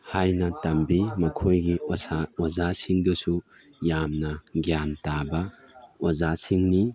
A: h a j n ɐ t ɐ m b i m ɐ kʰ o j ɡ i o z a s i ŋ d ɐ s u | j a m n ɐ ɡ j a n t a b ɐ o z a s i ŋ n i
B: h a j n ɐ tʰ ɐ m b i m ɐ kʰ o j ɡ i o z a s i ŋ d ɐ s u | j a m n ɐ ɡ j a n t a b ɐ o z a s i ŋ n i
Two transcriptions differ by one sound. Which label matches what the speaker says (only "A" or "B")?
A